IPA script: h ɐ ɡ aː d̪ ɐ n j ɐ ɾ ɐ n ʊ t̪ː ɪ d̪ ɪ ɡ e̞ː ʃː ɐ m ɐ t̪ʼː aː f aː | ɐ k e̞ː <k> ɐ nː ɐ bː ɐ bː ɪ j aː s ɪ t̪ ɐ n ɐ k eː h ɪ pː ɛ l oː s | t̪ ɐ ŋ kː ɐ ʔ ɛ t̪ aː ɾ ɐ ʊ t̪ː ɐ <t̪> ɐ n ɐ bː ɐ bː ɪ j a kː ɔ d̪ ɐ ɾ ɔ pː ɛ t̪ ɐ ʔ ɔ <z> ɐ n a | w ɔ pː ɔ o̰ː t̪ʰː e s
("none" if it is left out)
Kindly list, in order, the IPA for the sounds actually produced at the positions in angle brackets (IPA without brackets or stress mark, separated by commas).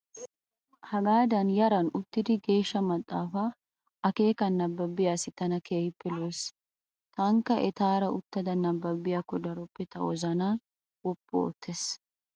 k, d̪, z